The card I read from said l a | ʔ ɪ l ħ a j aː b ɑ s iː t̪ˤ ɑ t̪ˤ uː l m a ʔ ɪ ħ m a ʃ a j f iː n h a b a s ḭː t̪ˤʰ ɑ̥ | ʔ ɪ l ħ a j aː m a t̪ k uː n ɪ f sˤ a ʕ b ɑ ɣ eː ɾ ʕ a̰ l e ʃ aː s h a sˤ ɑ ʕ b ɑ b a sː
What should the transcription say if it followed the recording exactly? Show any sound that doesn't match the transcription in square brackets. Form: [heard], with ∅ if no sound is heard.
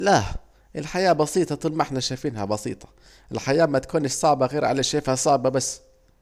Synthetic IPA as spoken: l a | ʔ ɪ l ħ a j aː b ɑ s iː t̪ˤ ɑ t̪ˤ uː l m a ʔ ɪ ħ [n] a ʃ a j f iː n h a b [ɑ] s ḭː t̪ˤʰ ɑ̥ | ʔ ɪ l ħ a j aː m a t̪ k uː n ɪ [ʃ] sˤ [ɑ] ʕ b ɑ ɣ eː ɾ ʕ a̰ l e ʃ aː [f] h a sˤ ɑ ʕ b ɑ b a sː